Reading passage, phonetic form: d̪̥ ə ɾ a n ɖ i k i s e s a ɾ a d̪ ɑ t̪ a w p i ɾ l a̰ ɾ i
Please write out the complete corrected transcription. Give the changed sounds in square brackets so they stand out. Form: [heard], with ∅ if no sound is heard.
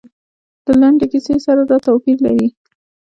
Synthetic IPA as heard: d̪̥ ə [l] a [ɳ] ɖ [e] k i s e s a ɾ a d̪ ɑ t̪ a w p i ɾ l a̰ ɾ i